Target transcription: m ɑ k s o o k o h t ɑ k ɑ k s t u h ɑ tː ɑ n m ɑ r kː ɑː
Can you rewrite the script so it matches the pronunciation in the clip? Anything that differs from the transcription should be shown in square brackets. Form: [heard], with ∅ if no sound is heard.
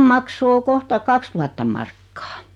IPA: m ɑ k s o o k o h t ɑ k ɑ k s t u h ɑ tː ɑ [m] m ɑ r kː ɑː